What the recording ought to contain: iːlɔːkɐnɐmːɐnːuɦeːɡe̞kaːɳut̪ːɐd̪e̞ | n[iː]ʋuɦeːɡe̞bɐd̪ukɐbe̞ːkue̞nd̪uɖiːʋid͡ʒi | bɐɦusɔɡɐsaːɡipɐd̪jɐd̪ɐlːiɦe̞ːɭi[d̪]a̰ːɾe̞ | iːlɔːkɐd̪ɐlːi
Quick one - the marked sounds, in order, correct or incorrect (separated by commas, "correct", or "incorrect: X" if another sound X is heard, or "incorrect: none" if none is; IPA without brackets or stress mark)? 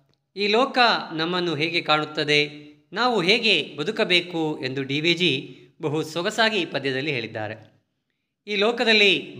incorrect: aː, incorrect: d̪ː